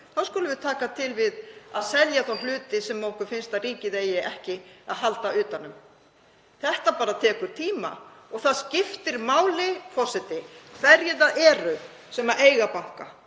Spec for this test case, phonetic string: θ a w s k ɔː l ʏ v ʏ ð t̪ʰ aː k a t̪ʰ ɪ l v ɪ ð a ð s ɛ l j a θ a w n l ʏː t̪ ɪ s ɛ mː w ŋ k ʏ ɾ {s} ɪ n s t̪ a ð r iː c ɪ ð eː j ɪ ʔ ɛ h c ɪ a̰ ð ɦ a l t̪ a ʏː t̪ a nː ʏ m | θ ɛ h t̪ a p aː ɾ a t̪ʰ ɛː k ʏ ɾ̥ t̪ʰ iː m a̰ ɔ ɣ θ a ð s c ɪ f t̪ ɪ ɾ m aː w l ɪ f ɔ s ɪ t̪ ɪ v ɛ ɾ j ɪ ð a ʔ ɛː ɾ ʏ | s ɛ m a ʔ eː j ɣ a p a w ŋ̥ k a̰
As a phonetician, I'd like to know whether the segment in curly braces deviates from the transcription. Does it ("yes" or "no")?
yes